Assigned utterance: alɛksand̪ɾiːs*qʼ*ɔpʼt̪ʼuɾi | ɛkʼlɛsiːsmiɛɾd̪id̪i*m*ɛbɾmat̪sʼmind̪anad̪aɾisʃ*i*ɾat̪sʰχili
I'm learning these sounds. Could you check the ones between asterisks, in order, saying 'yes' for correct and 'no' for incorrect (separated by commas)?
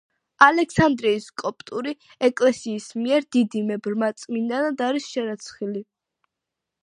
no, yes, no